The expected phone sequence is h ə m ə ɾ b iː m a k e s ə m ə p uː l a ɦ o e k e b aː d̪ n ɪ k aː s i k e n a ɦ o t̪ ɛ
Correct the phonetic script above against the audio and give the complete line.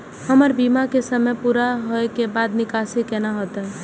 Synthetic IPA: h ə m ə ɾ b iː m a k e s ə m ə p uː ɾ a ɦ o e k e b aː d̪ n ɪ k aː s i k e n a ɦ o t̪ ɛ